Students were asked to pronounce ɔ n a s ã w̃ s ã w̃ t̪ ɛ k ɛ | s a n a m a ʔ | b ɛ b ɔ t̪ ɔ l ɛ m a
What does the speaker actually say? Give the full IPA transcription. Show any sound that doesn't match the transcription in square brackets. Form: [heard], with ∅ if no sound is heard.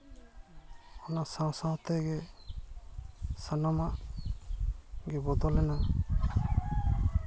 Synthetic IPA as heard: ɔ n a s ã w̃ s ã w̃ t̪ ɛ [ɡ] ɛ | s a n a m a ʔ | [ɡ] ɛ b ɔ [d̪] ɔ l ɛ [n] a